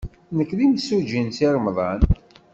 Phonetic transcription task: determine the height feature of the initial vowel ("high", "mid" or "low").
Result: mid